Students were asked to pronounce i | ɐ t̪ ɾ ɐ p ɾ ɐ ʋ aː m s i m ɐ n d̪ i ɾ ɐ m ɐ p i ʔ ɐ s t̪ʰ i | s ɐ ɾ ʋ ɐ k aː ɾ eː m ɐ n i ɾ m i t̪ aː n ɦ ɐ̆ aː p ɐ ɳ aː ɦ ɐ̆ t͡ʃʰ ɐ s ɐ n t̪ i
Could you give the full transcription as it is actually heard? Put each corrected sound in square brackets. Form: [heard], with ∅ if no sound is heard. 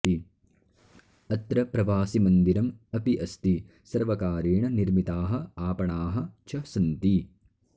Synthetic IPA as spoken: i | ɐ t̪ ɾ ɐ p ɾ ɐ ʋ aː [∅] s i m ɐ n d̪ i ɾ ɐ m ɐ p i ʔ ɐ s [t̪] i | s ɐ ɾ ʋ ɐ k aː ɾ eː [ɳ] ɐ n i ɾ m i t̪ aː [∅] ɦ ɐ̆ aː p ɐ ɳ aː ɦ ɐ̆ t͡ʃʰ ɐ s ɐ n t̪ i